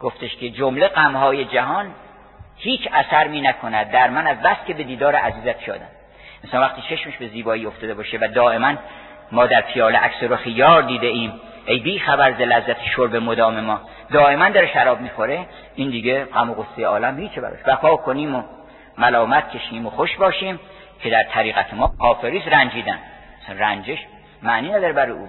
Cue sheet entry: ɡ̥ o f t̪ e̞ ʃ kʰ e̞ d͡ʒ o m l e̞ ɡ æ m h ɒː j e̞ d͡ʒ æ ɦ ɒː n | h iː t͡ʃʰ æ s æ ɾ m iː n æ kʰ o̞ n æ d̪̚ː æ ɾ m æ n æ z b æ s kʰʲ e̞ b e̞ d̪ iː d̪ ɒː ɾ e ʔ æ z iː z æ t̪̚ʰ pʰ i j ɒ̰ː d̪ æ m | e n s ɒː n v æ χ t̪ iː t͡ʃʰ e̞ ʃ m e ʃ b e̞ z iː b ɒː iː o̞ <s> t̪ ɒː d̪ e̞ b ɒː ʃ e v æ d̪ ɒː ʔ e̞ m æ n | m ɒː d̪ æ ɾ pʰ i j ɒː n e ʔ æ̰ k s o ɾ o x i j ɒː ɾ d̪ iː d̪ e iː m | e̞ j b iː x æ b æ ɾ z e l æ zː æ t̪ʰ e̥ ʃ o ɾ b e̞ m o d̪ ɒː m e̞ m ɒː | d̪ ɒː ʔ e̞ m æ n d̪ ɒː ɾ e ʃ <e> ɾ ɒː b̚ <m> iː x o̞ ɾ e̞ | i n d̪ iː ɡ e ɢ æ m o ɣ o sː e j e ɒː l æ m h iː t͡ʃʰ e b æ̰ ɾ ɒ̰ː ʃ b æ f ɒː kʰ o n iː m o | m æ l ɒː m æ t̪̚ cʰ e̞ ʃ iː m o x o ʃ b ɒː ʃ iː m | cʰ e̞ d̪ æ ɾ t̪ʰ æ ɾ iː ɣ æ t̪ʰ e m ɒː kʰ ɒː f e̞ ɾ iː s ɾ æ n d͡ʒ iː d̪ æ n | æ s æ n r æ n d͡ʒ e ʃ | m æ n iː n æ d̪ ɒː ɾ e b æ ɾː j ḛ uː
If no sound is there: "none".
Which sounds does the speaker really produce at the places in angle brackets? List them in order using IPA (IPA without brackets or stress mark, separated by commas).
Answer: f, æ, m